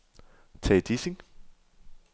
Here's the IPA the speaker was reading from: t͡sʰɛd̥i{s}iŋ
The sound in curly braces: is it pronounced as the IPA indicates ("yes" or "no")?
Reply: yes